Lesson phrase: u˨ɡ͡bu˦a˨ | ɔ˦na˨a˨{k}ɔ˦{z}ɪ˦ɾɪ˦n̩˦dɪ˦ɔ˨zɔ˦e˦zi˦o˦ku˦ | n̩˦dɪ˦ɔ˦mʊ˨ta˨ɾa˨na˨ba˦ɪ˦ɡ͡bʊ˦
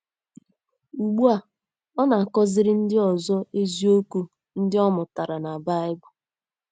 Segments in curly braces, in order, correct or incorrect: correct, correct

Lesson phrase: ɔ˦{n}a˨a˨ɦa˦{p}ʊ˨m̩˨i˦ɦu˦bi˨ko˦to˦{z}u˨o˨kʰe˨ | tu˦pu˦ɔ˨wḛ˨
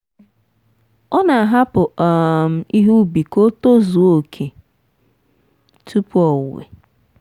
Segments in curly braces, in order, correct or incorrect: correct, correct, correct

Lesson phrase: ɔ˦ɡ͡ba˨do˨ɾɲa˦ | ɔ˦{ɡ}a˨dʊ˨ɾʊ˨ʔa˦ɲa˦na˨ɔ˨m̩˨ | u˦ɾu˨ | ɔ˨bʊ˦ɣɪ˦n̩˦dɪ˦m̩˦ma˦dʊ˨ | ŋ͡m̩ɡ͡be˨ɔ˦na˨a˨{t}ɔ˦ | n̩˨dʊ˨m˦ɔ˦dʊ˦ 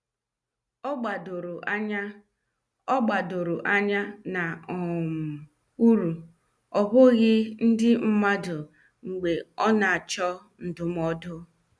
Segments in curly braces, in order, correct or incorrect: incorrect, incorrect

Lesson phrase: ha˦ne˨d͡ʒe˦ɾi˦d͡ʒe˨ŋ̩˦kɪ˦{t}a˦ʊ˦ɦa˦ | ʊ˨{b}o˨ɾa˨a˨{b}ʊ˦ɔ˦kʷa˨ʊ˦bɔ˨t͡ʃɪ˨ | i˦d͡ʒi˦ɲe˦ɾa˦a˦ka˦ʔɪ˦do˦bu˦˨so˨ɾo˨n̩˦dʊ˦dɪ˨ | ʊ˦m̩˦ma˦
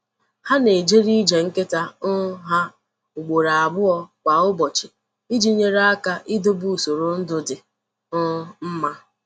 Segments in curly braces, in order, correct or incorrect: correct, incorrect, correct

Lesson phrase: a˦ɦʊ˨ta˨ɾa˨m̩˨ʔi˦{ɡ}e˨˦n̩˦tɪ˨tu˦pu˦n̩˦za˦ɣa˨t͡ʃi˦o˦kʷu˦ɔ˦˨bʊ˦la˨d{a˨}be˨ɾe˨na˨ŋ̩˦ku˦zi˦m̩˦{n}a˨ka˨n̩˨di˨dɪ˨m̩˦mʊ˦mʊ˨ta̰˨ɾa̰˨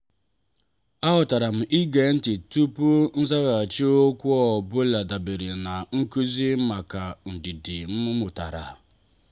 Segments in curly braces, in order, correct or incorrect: correct, correct, incorrect

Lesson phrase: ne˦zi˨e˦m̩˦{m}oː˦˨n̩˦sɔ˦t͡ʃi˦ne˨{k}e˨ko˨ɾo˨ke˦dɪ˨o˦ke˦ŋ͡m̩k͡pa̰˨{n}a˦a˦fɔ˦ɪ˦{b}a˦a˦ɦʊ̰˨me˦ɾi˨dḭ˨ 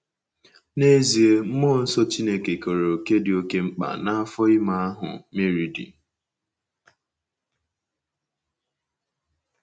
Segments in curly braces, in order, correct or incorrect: correct, correct, correct, incorrect

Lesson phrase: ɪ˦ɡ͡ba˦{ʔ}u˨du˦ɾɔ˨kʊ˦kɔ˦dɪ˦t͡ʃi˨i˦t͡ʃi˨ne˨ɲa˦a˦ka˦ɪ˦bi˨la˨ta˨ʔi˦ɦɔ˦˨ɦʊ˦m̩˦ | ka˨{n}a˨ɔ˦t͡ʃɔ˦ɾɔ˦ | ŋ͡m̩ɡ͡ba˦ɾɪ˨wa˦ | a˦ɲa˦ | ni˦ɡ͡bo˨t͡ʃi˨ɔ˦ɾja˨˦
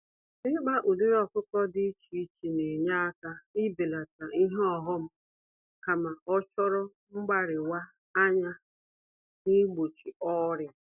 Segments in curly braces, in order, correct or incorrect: correct, incorrect

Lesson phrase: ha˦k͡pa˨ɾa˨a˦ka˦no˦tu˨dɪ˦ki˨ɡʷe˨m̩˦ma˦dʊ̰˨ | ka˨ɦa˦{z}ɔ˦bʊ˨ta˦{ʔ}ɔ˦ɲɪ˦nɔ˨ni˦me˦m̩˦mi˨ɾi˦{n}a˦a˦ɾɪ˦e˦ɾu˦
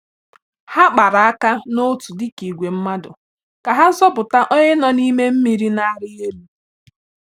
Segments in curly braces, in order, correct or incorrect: correct, correct, correct

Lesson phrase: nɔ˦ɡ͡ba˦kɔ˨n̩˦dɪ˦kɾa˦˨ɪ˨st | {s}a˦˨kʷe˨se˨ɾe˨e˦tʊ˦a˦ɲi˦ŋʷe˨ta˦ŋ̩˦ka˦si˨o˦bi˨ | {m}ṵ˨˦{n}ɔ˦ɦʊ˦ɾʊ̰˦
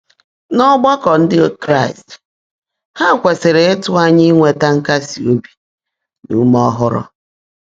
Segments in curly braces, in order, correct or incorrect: incorrect, incorrect, incorrect

